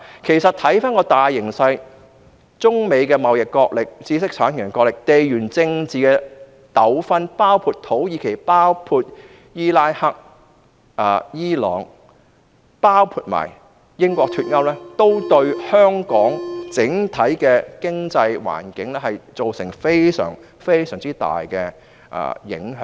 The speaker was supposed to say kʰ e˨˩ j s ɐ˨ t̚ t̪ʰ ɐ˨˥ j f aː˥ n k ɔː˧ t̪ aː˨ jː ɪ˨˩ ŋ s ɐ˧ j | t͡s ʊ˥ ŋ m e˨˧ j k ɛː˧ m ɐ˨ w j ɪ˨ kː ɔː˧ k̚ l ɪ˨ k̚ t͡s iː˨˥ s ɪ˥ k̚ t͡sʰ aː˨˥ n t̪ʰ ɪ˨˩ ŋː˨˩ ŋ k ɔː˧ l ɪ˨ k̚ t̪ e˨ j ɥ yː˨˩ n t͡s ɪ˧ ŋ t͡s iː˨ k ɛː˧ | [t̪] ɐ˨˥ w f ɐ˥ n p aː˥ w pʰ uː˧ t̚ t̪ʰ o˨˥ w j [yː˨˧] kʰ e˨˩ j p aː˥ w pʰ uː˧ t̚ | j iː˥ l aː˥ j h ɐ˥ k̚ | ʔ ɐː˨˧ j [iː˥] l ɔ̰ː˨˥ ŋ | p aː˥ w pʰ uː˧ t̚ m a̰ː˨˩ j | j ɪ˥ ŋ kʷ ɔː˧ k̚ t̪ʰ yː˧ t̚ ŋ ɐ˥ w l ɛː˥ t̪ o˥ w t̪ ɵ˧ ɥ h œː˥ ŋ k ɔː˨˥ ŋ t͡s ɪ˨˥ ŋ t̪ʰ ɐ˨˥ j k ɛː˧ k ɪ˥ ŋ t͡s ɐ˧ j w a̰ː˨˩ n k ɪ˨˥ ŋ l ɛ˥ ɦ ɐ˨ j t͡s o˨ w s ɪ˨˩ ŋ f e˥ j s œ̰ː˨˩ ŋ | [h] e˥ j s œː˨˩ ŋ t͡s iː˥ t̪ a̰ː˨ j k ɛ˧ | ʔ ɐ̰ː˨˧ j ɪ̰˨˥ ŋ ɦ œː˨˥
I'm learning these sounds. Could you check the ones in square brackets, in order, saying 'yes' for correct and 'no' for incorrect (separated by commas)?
yes, no, yes, no